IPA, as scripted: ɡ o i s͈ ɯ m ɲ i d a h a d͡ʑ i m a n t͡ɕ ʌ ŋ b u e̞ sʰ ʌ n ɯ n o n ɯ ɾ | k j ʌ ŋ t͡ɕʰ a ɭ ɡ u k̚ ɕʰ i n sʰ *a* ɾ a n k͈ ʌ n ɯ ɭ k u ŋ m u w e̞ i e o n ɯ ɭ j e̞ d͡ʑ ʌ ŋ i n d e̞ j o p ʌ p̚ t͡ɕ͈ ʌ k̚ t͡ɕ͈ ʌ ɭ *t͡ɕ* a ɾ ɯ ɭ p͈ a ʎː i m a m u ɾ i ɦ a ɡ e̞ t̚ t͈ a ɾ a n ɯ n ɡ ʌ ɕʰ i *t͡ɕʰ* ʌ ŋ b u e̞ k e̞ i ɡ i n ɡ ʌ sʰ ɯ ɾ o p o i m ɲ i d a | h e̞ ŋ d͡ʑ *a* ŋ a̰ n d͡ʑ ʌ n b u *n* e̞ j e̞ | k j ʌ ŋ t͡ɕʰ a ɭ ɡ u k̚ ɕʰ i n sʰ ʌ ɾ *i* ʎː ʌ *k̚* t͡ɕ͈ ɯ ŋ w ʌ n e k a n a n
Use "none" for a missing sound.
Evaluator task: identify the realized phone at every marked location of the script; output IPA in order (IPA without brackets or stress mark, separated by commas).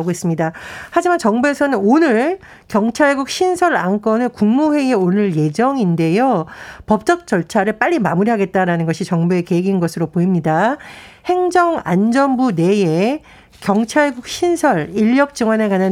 ʌ, t͡ɕʰ, t͡ɕ, ʌ, n, i, k̚